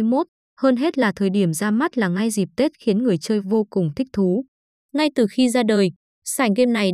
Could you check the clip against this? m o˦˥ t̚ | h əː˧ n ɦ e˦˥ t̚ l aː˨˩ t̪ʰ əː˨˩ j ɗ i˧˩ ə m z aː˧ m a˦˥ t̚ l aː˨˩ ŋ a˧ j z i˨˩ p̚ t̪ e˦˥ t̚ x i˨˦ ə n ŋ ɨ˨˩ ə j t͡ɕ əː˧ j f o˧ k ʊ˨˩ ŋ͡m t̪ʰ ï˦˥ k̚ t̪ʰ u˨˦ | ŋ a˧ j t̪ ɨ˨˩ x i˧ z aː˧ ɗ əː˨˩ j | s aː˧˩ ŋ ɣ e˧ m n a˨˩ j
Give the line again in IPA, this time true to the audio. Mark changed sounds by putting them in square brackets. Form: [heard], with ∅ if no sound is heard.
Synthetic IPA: m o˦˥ t̚ | h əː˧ n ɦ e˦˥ t̚ l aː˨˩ t̪ʰ əː˨˩ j ɗ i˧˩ ə m z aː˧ m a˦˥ t̚ l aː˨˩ ŋ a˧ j z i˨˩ p̚ t̪ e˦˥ t̚ x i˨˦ ə n ŋ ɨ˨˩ ə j t͡ɕ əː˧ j [v] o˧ k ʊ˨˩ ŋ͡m t̪ʰ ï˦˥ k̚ t̪ʰ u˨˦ | ŋ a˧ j t̪ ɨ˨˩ x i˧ z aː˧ ɗ əː˨˩ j | s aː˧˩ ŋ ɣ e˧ m n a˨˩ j